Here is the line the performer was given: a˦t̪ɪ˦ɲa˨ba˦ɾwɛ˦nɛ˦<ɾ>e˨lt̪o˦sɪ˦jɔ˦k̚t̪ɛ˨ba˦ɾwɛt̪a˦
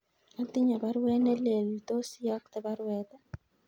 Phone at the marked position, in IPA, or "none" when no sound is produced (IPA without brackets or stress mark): l